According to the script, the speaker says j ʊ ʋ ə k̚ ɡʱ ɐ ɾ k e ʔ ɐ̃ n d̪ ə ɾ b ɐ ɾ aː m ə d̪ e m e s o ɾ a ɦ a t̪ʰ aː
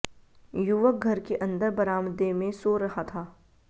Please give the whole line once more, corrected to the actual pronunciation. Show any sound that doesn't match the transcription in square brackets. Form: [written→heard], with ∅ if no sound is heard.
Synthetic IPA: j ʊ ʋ ə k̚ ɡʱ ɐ ɾ k e ʔ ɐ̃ n d̪ ə ɾ b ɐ ɾ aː m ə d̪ e m [e→ẽ] s o ɾ [a→ɐ] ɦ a t̪ʰ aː